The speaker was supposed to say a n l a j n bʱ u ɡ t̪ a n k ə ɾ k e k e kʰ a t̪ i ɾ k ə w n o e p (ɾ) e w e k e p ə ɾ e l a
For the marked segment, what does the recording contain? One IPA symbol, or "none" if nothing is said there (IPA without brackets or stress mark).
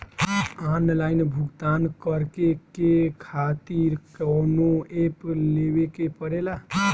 l